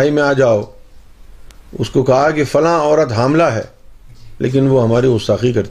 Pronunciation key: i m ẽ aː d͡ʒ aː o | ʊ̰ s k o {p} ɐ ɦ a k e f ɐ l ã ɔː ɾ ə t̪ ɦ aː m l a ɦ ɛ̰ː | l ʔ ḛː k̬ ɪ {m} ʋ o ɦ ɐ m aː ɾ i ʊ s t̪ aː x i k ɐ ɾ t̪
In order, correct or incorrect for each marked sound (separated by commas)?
incorrect, incorrect